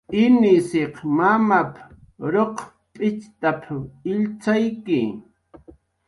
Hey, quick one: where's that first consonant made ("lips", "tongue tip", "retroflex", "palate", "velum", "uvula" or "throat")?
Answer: tongue tip